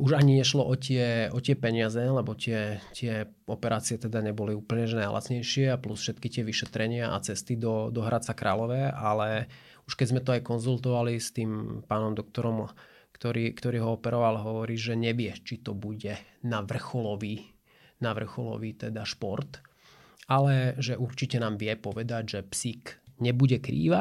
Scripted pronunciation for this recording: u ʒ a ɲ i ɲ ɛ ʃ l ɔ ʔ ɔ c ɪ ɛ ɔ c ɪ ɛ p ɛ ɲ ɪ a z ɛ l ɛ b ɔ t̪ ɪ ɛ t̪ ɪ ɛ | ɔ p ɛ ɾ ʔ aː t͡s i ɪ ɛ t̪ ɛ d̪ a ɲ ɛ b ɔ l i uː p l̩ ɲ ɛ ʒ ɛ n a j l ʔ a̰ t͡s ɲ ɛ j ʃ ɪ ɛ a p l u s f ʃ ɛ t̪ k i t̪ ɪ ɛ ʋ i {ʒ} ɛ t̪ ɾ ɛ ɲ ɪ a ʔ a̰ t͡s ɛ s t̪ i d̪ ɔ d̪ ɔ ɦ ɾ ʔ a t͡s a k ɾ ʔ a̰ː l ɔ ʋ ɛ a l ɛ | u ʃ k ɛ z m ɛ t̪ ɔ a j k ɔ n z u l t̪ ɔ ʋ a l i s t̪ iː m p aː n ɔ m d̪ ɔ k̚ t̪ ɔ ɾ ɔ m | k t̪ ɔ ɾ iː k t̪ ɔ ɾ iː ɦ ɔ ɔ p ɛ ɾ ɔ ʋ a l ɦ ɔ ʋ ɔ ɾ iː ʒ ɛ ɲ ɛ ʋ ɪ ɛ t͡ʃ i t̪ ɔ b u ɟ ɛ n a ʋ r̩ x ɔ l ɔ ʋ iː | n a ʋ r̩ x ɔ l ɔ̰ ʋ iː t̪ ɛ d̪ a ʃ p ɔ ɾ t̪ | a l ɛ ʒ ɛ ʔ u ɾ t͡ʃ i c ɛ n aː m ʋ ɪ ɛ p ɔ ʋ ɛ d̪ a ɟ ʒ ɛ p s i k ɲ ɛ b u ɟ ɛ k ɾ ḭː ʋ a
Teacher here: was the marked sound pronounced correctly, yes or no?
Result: no